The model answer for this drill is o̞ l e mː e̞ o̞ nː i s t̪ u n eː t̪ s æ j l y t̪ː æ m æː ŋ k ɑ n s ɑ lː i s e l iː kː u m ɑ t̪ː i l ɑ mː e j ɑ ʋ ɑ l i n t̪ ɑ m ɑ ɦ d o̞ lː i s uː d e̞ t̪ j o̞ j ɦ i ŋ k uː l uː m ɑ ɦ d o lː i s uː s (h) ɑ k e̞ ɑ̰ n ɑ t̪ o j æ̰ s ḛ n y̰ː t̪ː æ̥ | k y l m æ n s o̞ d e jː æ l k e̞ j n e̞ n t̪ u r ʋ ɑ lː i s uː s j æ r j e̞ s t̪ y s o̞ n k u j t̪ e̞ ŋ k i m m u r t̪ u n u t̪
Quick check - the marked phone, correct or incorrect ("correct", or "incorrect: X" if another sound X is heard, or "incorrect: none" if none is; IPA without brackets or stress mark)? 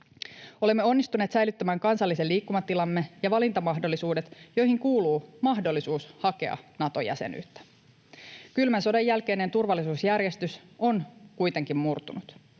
correct